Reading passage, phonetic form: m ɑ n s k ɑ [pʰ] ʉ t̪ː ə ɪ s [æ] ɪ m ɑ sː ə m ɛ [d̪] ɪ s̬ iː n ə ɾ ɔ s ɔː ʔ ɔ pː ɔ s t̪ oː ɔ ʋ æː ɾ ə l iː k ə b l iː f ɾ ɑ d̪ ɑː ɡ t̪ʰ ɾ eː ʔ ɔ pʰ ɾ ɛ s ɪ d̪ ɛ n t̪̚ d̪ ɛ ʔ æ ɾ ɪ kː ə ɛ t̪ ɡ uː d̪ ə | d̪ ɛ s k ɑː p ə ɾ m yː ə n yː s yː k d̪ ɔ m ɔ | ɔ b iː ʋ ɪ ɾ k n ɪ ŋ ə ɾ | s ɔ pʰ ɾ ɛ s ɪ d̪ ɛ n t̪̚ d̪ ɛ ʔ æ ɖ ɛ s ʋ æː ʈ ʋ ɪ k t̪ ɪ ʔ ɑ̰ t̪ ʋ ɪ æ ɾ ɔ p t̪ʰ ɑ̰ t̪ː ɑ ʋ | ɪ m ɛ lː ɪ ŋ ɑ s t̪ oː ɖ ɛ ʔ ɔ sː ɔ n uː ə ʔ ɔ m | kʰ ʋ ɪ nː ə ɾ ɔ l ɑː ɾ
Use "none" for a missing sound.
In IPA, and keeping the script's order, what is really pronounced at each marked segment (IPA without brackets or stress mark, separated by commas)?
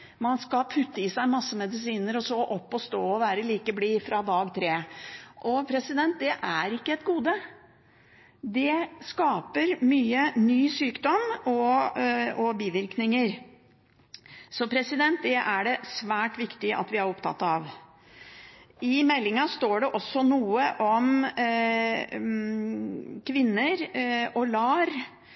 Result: pʰ, æ, d̪